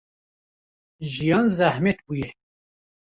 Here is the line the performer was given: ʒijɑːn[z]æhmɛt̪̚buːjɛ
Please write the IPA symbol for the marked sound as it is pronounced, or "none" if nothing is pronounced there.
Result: z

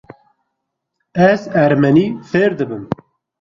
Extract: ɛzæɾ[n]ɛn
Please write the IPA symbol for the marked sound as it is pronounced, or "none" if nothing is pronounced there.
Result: m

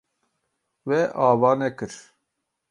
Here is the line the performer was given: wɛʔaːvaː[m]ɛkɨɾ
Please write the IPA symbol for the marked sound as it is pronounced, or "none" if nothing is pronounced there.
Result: n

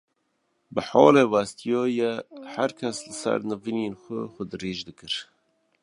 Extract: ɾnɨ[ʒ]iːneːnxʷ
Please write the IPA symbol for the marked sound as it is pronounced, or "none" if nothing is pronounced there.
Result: v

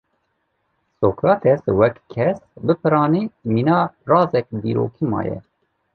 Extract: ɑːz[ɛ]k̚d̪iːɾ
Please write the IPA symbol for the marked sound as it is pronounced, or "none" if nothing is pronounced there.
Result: ɛ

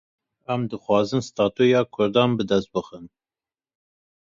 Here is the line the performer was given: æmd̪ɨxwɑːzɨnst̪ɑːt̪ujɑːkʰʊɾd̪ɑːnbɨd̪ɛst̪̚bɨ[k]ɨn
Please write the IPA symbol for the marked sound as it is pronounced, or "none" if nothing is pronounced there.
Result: x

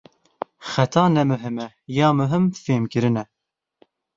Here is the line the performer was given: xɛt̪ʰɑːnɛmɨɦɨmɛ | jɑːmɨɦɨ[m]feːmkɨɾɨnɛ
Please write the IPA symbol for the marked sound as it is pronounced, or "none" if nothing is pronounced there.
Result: m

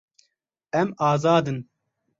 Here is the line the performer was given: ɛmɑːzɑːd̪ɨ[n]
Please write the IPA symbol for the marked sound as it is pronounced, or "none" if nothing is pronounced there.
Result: n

